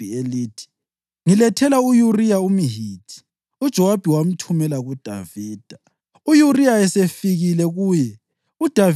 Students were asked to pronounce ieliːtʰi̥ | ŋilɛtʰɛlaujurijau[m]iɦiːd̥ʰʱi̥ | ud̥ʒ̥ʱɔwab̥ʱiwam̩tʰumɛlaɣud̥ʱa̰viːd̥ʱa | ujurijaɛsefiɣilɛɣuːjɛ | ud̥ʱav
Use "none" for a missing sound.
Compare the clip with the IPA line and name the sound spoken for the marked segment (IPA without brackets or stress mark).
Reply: m